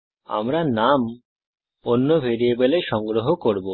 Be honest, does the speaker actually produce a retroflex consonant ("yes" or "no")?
no